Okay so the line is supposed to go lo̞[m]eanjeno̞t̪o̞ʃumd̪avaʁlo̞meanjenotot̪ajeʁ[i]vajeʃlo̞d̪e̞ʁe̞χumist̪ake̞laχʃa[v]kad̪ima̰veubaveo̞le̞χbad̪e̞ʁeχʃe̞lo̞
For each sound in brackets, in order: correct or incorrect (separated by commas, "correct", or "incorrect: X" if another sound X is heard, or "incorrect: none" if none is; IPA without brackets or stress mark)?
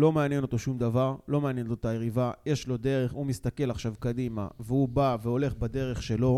correct, correct, correct